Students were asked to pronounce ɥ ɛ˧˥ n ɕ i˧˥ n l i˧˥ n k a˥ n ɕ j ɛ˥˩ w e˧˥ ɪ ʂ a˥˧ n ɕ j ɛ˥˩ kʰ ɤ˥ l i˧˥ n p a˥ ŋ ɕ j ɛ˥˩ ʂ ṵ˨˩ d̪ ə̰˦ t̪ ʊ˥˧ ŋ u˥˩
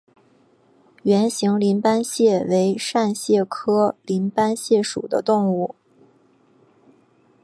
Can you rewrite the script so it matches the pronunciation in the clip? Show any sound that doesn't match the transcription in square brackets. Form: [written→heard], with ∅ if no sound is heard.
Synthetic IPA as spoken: ɥ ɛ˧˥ n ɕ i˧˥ [n→ŋ] l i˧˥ n [k→p] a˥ n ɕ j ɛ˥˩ w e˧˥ ɪ ʂ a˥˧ n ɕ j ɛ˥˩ kʰ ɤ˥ l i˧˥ n p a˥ [ŋ→n] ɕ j ɛ˥˩ ʂ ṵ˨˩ d̪ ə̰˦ t̪ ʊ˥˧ ŋ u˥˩